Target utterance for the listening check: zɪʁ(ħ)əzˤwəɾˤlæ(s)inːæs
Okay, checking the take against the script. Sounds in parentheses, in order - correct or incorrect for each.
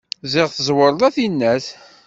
incorrect, incorrect

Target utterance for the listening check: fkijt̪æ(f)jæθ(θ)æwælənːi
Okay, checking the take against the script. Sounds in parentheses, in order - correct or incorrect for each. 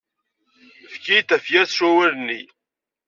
correct, incorrect

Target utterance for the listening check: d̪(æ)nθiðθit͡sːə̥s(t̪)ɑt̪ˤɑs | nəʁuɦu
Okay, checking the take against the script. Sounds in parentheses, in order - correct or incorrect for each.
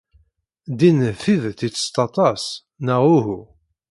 incorrect, correct

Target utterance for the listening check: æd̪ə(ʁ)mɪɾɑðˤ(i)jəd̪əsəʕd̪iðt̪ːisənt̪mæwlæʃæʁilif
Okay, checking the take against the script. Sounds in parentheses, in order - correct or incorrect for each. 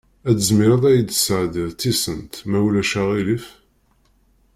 incorrect, incorrect

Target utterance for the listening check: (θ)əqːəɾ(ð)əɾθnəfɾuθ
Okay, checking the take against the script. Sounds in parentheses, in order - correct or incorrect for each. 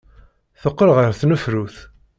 correct, incorrect

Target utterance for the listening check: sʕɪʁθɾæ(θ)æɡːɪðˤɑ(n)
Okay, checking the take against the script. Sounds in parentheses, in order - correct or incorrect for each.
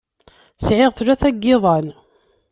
correct, correct

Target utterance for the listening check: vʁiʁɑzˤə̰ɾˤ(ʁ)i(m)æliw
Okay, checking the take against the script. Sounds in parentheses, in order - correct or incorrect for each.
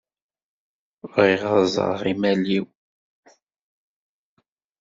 correct, correct

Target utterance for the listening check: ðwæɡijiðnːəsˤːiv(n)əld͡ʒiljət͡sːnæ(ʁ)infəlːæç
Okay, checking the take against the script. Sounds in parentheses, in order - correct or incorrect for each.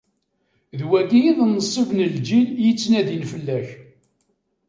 correct, incorrect

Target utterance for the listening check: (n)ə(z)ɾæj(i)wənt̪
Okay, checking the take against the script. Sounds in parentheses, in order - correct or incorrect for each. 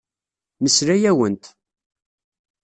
incorrect, incorrect, incorrect

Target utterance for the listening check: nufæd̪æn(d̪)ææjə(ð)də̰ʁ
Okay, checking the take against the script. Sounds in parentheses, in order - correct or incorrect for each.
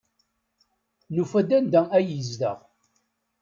correct, incorrect

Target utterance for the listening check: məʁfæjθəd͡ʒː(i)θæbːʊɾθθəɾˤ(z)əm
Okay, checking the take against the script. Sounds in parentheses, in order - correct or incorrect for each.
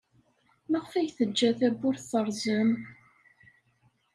incorrect, correct

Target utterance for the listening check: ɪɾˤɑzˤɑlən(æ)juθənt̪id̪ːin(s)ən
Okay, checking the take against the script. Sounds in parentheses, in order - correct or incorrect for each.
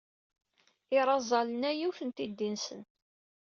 correct, correct

